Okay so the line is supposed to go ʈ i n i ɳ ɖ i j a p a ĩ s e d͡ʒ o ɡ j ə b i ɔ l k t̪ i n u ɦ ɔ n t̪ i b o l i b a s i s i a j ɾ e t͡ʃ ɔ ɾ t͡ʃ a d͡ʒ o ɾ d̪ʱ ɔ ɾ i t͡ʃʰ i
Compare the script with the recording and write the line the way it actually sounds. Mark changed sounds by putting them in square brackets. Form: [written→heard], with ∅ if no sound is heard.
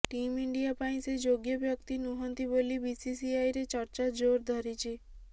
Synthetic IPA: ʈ i [n→m] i ɳ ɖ i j a p a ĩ s e d͡ʒ o ɡ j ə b [i→j] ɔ [l→∅] k t̪ i n u ɦ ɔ n t̪ i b o l i b [a→i] s i s i a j ɾ e t͡ʃ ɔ ɾ t͡ʃ a d͡ʒ o ɾ d̪ʱ ɔ ɾ i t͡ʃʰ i